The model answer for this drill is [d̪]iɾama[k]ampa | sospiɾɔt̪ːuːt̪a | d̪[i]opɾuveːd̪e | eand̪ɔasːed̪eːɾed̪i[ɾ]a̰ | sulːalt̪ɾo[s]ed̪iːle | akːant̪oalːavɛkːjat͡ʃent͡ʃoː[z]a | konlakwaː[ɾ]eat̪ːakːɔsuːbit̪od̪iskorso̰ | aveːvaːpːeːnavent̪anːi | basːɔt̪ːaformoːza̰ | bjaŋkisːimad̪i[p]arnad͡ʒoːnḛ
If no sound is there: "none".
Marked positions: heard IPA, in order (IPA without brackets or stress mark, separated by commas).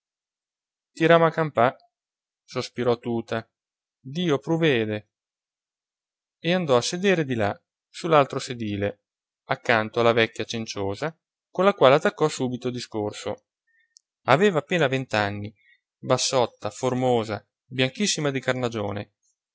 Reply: t̪, k, iː, l, s, z, l, k